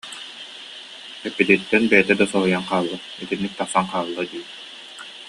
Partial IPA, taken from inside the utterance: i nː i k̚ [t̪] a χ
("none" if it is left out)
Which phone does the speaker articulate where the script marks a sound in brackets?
t̪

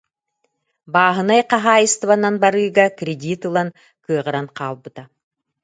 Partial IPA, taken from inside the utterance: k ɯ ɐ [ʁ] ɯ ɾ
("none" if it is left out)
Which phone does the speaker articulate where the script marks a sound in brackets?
ʁ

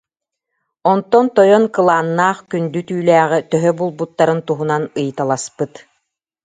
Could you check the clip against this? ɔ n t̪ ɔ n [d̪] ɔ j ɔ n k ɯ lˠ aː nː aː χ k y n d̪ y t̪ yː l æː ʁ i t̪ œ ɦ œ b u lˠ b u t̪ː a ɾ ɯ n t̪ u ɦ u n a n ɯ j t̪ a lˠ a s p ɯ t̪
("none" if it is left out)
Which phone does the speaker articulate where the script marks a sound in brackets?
t̪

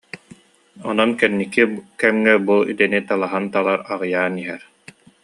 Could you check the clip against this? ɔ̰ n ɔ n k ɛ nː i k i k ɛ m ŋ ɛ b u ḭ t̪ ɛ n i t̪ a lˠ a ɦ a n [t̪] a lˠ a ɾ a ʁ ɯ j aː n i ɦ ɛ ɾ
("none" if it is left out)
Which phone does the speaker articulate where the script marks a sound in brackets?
t̪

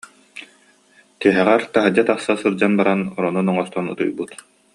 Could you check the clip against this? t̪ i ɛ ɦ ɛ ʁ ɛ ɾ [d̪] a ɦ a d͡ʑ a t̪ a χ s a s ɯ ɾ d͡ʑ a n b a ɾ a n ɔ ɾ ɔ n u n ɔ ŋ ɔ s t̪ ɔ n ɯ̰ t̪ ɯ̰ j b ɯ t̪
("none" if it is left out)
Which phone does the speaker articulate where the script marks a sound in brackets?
t̪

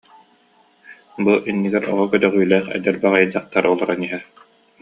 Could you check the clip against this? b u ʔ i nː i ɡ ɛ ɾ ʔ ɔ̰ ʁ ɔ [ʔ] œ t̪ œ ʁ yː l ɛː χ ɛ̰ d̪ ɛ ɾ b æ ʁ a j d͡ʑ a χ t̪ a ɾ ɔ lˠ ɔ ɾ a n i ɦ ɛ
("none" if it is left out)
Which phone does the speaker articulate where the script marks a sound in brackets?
k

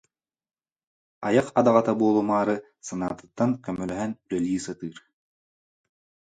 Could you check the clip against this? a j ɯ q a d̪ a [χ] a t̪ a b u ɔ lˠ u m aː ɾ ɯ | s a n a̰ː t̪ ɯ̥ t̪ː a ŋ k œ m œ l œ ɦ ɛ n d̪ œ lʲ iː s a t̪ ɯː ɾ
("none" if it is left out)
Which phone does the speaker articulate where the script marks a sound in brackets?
ʁ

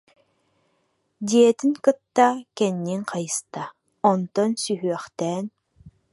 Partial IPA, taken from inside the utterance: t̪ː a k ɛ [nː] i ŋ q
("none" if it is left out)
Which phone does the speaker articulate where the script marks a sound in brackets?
nː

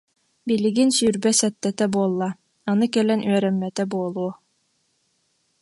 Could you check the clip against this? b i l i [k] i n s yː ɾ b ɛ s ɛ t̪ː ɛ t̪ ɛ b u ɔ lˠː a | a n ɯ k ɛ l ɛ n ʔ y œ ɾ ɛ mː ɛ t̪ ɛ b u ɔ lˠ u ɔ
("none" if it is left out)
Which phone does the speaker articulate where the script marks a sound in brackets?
ɡ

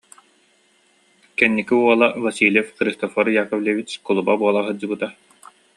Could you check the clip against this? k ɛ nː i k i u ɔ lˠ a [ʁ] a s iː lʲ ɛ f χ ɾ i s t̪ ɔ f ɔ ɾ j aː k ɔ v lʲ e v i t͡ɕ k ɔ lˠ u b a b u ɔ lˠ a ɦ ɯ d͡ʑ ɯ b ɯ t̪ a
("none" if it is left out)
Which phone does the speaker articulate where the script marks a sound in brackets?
v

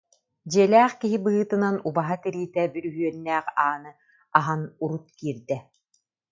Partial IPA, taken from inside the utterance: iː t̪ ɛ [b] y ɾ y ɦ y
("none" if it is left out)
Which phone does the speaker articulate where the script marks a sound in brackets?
b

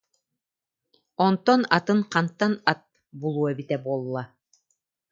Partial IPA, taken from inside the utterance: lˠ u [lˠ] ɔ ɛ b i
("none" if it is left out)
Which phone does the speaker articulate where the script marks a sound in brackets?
none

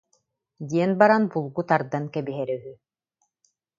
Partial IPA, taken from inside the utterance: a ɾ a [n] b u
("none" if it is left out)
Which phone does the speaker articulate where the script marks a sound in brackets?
n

